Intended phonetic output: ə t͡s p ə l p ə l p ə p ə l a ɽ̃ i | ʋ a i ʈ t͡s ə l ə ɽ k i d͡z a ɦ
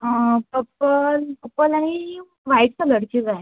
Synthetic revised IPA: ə p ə p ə l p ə p ə l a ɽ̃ i | ʋ a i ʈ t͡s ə l ə ɽ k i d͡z a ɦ